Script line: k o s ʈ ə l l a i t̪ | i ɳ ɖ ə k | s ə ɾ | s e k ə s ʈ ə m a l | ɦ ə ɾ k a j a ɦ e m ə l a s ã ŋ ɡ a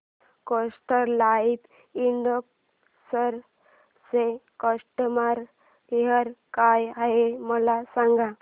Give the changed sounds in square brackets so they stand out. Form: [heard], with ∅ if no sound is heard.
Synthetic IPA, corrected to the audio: k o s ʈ ə [ɾ] l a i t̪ | i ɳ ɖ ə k | s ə ɾ | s e k ə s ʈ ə m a [ɾ] | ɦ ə ɾ k a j a ɦ e m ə l a s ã ŋ ɡ a